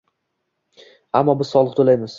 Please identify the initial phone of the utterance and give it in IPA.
a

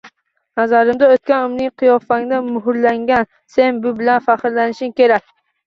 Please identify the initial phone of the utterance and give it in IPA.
n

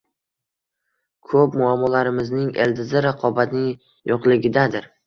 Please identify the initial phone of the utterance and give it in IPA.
kʰ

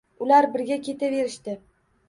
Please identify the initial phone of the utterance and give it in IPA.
ʊ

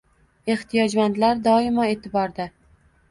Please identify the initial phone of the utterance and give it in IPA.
e̞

